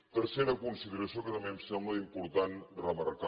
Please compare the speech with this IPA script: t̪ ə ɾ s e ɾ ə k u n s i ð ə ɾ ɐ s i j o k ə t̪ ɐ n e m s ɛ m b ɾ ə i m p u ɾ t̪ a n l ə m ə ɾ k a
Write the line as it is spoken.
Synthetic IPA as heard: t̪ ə ɾ s e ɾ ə k u n s i ð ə ɾ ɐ s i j o k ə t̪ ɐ m e m s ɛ m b l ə i m p u ɾ t̪ a n r ə m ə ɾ k a